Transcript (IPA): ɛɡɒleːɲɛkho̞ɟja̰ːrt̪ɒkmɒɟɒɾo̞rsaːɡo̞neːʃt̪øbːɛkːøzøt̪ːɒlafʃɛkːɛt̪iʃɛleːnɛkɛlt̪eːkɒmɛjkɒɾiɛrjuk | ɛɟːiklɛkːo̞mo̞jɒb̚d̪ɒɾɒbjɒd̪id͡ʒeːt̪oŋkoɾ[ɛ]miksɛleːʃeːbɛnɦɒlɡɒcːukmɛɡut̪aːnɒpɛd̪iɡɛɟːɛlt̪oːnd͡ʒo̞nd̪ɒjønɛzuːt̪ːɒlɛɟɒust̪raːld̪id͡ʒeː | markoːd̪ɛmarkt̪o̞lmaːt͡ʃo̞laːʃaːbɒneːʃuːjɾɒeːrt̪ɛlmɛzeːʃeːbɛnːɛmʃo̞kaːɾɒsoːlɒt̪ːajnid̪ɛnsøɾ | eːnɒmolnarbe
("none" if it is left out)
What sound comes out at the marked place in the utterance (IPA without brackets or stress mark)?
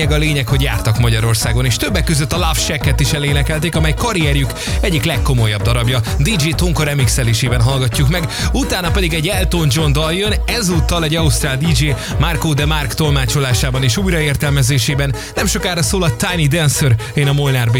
ɛ